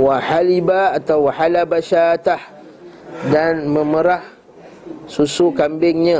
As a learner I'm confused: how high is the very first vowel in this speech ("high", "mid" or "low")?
low